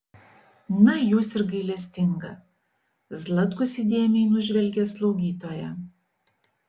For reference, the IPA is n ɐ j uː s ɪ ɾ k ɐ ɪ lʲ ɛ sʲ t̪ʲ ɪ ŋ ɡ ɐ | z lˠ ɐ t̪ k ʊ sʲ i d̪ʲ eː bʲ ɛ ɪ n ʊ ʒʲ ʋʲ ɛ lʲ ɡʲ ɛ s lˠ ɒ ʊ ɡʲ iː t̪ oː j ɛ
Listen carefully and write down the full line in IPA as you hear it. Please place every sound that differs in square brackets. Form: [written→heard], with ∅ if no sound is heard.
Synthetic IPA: n ɐ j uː s ɪ ɾ [k→ɡ] ɐ ɪ lʲ ɛ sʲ t̪ʲ ɪ ŋ ɡ ɐ | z lˠ ɐ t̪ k ʊ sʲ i d̪ʲ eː [bʲ→mʲ] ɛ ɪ n ʊ ʒʲ ʋʲ ɛ lʲ ɡʲ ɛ s lˠ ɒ ʊ ɡʲ iː t̪ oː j ɛ